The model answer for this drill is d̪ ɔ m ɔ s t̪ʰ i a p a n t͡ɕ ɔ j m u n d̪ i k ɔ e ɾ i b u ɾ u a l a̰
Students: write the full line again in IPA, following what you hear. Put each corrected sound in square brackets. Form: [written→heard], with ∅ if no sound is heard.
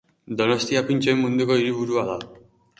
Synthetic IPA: d̪ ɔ [m→n] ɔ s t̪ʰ i a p [a→i] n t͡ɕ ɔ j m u n d̪ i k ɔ [e→i] ɾ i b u ɾ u a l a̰